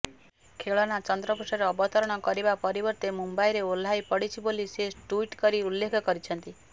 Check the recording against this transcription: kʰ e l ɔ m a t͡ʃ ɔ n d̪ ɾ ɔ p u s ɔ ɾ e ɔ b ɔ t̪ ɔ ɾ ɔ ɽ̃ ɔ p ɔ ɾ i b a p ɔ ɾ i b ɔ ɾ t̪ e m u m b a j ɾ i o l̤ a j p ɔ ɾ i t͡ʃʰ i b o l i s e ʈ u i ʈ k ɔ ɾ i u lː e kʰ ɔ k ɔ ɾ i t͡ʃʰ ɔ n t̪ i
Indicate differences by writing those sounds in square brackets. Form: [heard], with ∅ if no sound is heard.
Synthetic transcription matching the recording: kʰ e [ɭ] ɔ [n] a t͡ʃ ɔ n d̪ ɾ ɔ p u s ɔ ɾ e ɔ b ɔ t̪ ɔ ɾ ɔ ɽ̃ ɔ [k] ɔ ɾ i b a p ɔ ɾ i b ɔ ɾ t̪ e m u m b a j ɾ [e] o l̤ a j p ɔ [ɽ] i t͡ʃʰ i b o l i s e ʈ u i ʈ k ɔ ɾ i u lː e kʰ ɔ k ɔ ɾ i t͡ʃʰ ɔ n t̪ i